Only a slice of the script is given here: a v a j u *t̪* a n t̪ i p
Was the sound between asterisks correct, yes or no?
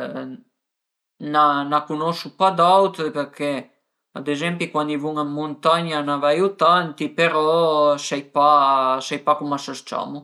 yes